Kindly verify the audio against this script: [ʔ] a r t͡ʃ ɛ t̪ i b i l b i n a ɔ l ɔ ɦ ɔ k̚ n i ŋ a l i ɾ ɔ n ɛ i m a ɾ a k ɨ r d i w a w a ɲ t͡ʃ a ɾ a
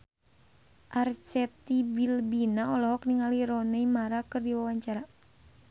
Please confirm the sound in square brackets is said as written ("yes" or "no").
yes